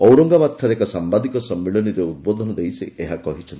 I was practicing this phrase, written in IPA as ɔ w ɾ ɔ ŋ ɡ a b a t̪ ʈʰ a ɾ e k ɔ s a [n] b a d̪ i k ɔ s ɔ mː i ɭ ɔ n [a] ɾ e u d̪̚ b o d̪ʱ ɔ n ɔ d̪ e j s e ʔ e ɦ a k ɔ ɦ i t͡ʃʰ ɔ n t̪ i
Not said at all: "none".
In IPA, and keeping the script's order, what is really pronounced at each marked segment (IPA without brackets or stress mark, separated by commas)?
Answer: m, i